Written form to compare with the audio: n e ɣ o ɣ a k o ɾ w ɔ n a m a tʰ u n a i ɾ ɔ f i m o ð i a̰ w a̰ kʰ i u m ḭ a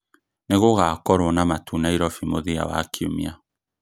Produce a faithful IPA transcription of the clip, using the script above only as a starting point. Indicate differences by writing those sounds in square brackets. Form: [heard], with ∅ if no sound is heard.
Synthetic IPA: n e ɣ o ɣ a k [ɔ] ɾ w ɔ n a m a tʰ u n a i ɾ ɔ f i m o ð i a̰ w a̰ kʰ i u m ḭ a